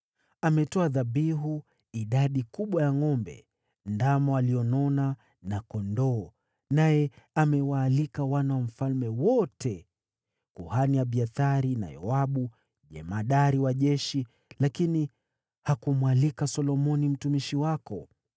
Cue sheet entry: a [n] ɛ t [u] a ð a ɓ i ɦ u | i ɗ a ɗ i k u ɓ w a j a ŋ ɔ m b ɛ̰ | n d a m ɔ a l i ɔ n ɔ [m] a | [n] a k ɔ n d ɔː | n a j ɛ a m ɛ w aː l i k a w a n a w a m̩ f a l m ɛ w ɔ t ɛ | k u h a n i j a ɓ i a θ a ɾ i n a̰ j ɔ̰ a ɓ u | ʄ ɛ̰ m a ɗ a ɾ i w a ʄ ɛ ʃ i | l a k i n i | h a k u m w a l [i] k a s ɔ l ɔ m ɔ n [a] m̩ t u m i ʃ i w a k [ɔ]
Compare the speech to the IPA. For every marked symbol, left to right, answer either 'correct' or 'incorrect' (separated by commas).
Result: incorrect, incorrect, incorrect, correct, correct, incorrect, correct